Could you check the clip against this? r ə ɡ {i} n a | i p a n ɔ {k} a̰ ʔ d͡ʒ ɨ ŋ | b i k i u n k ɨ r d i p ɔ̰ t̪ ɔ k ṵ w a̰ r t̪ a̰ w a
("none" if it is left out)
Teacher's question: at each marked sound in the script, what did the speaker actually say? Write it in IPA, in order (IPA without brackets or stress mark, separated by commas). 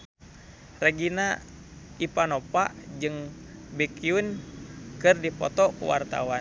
i, p